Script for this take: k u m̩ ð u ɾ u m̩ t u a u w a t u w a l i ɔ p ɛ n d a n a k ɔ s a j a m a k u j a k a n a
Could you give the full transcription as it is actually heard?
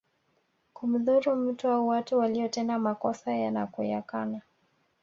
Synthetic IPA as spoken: k u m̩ ð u ɾ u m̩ t u a u w a t u w a l i ɔ t ɛ n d a m a k ɔ s a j a n a k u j a k a n a